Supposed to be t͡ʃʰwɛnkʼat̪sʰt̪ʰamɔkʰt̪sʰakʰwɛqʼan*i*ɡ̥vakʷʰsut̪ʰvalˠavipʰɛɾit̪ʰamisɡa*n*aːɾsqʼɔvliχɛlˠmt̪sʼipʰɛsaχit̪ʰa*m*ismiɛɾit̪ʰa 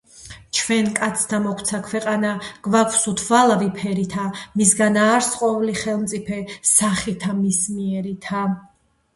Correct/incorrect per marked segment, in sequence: incorrect, correct, correct

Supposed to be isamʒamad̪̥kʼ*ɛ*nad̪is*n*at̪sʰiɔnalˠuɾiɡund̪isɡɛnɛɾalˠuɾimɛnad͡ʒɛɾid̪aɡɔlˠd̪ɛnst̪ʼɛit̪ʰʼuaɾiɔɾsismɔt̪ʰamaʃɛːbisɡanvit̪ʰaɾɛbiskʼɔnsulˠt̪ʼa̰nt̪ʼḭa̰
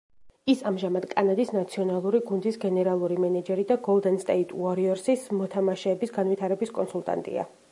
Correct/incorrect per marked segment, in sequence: incorrect, correct

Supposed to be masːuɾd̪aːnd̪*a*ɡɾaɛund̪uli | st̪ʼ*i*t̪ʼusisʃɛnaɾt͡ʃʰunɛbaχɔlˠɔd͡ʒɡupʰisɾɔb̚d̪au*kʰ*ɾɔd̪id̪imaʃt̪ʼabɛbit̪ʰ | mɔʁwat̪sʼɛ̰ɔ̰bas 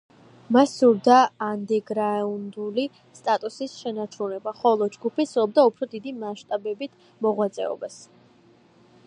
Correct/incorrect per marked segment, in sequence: incorrect, incorrect, incorrect

